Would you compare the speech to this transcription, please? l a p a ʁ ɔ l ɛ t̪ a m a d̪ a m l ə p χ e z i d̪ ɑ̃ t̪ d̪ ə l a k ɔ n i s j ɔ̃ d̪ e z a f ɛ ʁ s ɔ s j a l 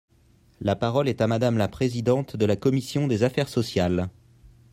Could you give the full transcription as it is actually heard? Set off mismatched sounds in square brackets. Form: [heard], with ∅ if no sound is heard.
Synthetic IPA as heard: l a p a ʁ ɔ l ɛ t̪ a m a d̪ a m l [a] p χ e z i d̪ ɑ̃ t̪ d̪ ə l a k ɔ [m] i s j ɔ̃ d̪ e z a f ɛ ʁ s ɔ s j a l